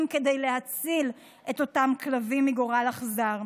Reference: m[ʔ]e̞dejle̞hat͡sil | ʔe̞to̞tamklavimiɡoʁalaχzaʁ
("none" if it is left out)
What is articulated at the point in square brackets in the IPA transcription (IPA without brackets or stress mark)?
k